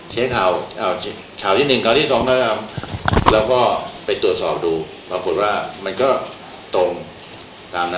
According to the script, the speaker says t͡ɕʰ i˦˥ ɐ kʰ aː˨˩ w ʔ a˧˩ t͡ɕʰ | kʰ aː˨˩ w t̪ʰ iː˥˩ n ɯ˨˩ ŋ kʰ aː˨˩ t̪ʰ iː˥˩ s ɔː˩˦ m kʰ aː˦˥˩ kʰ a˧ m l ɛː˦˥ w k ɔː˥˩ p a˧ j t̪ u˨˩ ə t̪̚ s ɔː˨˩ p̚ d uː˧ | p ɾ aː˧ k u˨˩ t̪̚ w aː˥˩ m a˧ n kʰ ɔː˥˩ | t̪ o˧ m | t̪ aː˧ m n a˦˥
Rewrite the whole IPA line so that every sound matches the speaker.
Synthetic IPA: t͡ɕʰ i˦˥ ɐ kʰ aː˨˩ w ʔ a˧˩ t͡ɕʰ | kʰ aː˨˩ w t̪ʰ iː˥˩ n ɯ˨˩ ŋ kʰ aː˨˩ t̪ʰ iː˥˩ s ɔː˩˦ ŋ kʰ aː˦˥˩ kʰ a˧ m l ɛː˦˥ w k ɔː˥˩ p a˧ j t̪ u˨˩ ə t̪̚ s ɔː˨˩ p̚ d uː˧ | p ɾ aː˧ k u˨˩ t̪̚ w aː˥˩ m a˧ n k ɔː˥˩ | t̪ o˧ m | t̪ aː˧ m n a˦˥